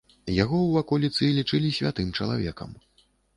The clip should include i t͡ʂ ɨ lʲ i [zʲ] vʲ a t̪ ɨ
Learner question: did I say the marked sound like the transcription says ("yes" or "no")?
no